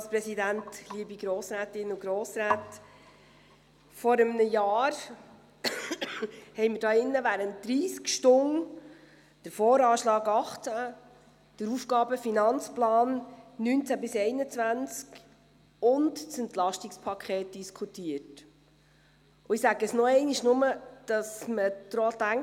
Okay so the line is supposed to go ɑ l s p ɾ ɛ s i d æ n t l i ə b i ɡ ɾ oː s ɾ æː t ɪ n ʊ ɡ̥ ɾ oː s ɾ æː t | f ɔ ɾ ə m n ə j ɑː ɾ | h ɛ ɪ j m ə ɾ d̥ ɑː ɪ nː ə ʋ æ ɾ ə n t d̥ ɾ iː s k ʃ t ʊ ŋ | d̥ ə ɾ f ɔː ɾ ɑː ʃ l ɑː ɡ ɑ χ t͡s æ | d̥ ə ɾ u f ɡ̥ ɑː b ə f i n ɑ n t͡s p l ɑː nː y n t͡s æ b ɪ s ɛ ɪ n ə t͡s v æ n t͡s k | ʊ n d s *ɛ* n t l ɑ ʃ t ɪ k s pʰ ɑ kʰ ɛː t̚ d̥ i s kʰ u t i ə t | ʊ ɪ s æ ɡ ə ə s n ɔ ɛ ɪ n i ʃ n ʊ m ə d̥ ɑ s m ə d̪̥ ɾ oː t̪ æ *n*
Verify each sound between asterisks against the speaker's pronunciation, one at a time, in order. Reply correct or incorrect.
correct, incorrect

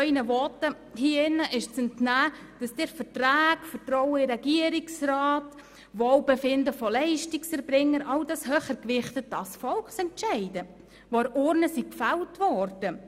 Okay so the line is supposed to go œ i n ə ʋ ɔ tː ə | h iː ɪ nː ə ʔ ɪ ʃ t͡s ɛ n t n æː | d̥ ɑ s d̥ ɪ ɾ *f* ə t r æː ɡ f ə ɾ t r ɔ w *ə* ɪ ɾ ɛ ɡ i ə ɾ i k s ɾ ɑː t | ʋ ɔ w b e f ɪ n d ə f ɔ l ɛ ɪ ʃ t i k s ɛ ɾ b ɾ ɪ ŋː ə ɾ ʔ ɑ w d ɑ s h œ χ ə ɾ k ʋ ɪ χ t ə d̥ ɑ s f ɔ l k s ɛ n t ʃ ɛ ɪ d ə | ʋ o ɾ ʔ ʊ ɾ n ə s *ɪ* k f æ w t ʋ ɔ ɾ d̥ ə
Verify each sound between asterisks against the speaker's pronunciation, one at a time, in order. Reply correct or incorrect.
correct, correct, incorrect

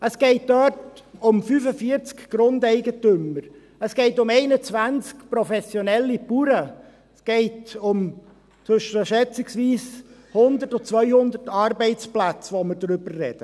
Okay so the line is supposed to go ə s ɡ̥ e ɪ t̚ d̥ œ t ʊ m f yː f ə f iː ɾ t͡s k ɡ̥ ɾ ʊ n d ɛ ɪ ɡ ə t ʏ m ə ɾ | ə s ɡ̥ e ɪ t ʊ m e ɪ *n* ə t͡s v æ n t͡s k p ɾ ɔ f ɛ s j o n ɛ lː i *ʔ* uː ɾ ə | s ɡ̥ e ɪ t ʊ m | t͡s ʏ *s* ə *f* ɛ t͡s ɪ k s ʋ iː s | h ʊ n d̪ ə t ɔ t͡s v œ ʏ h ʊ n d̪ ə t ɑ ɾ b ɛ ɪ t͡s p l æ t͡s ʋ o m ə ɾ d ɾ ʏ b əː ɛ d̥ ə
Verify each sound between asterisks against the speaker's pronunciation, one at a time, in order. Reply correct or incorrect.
correct, incorrect, incorrect, incorrect

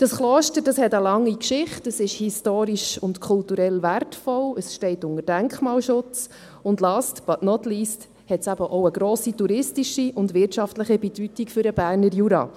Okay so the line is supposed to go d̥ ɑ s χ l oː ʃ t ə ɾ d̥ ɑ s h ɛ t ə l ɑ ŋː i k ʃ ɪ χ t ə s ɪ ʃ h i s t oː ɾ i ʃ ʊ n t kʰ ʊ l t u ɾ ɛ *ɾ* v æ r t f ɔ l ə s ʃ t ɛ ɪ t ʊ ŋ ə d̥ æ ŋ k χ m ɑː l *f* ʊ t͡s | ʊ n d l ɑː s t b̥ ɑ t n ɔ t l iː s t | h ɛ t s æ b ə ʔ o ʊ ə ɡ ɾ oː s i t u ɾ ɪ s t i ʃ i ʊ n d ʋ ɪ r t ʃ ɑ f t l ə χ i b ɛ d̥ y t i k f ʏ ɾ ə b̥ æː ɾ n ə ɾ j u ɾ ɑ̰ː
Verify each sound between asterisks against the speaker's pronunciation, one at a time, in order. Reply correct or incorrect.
incorrect, incorrect

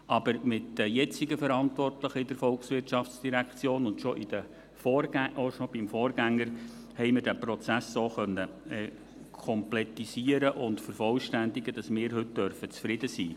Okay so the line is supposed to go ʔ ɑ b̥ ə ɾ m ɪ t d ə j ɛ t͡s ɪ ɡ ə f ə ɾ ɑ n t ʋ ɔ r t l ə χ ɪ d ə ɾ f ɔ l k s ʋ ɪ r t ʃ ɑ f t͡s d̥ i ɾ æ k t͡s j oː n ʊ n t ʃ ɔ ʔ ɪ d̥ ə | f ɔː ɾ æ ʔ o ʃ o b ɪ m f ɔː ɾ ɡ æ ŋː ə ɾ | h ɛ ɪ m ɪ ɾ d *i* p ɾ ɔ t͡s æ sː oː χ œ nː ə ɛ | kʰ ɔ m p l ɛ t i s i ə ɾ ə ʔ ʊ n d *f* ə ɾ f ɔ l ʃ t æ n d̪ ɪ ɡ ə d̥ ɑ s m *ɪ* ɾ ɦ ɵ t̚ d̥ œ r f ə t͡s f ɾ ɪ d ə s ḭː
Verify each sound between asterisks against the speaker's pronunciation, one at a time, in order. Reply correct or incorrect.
incorrect, correct, incorrect

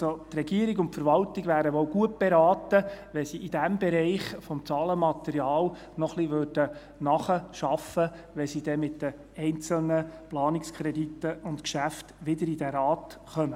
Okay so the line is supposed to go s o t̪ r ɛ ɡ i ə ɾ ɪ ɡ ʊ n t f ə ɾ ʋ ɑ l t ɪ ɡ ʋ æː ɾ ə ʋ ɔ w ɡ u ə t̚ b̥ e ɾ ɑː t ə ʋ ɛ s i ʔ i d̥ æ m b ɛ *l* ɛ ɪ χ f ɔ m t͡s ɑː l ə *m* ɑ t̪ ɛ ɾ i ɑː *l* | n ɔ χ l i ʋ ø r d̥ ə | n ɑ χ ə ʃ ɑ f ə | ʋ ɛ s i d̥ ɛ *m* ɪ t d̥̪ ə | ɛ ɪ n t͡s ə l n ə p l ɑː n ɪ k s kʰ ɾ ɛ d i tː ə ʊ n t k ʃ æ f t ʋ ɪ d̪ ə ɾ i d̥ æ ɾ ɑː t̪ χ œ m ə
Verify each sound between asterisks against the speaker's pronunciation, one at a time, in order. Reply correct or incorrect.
incorrect, correct, correct, correct

